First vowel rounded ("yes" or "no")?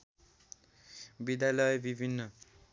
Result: no